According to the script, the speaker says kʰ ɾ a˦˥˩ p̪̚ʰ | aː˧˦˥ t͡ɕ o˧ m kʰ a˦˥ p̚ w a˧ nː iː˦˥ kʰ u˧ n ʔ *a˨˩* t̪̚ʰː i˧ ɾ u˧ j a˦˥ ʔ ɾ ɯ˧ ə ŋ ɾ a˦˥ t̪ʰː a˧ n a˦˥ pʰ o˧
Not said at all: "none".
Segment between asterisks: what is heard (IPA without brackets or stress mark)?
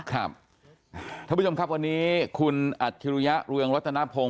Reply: a˨˩